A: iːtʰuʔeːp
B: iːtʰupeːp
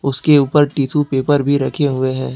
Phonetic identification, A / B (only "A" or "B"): B